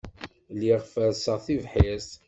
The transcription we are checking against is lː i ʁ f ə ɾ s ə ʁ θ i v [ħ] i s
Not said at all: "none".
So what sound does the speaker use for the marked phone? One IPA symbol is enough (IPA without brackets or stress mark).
ħ